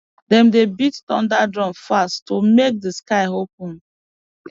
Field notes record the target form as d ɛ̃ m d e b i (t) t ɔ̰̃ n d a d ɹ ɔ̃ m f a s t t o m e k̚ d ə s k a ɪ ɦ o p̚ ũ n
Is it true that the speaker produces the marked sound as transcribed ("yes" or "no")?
yes